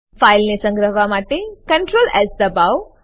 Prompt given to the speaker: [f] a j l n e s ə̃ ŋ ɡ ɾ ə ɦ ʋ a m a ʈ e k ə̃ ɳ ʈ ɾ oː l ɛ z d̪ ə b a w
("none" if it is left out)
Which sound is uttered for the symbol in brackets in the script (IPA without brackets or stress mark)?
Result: f